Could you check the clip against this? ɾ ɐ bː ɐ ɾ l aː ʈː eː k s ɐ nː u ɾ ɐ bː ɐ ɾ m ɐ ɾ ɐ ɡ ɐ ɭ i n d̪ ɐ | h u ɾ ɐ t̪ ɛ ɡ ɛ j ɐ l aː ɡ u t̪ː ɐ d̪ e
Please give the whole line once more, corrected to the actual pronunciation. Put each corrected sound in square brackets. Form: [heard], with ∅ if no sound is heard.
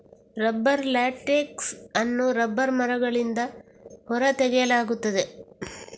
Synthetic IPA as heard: ɾ ɐ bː ɐ ɾ l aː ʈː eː k s ɐ nː u ɾ ɐ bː ɐ ɾ m ɐ ɾ ɐ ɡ ɐ ɭ i n d̪ ɐ | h [ɔ] ɾ ɐ t̪ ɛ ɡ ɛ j ɐ l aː ɡ u t̪ː ɐ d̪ e